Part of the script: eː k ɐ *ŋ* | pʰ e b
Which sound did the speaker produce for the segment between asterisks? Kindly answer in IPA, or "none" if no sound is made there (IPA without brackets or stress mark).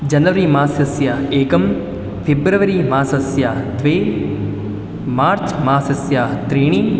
m